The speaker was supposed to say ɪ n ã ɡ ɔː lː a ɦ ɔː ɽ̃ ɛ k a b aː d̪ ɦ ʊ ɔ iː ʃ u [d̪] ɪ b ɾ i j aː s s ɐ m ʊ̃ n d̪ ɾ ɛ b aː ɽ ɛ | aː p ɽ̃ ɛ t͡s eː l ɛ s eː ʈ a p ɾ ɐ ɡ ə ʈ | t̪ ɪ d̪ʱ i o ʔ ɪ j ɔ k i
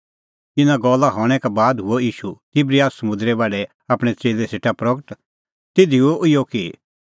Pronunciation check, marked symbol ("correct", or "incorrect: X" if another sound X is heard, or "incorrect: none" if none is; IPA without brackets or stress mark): incorrect: t̪